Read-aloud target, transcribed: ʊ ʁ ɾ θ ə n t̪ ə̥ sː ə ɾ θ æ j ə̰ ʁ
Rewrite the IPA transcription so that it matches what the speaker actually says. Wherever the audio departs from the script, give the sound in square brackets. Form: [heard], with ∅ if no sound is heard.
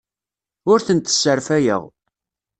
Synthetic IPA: ʊ [∅] ɾ θ ə n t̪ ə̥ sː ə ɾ [f] æ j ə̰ ʁ